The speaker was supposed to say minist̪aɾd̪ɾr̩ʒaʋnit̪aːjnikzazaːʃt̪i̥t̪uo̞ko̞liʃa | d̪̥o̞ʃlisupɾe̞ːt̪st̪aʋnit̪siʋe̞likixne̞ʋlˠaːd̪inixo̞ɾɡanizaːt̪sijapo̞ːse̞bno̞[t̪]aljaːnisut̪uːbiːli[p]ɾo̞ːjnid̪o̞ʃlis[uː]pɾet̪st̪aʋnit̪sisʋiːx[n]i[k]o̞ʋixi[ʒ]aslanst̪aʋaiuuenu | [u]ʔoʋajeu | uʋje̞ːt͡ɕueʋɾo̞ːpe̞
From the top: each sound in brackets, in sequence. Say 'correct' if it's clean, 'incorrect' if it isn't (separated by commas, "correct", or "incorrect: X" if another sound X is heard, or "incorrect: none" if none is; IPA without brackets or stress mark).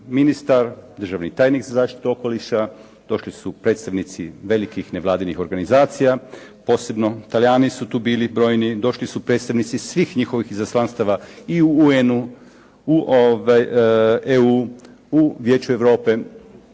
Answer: correct, incorrect: b, incorrect: u, incorrect: ɲ, incorrect: x, incorrect: z, correct